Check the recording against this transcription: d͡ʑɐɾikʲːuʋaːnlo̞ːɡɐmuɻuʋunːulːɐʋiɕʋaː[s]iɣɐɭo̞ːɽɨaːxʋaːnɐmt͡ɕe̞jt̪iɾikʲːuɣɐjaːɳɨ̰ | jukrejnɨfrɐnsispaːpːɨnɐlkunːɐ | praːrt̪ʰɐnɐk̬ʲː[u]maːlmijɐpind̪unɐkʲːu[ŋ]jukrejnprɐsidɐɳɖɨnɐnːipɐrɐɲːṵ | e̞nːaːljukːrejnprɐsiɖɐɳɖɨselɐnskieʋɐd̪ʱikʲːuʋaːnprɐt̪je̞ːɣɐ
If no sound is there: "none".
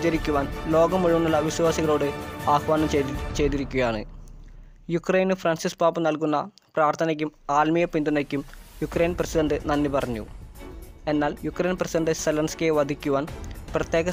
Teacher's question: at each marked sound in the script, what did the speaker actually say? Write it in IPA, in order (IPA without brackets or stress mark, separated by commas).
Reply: s, u, m